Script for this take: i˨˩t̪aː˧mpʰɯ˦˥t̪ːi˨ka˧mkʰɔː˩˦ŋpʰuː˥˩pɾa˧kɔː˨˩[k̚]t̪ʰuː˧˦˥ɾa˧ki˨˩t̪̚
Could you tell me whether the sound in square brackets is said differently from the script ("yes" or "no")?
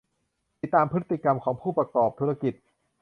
yes